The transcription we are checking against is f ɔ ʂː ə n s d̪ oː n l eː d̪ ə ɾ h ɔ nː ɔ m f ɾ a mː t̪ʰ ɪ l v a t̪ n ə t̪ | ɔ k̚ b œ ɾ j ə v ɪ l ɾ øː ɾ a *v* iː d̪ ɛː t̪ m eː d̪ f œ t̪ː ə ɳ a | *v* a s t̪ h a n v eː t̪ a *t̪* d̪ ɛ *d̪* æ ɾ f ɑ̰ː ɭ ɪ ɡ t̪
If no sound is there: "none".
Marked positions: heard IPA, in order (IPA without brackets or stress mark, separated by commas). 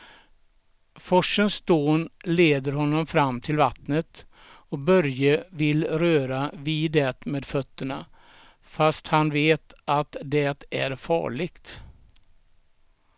v, f, t̪, t̪